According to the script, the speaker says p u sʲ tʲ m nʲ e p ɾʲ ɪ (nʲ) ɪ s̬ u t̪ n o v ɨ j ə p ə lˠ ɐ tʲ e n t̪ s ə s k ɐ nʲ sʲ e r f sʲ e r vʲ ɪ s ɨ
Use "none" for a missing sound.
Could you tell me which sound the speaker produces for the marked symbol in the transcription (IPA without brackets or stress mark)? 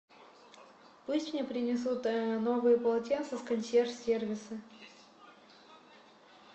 nʲ